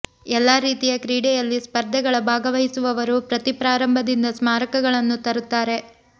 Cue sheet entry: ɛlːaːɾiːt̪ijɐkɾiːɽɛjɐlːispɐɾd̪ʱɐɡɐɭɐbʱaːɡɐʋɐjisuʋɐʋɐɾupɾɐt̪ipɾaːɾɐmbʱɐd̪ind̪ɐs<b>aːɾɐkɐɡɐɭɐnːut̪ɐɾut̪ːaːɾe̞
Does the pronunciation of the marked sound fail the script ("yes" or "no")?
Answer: yes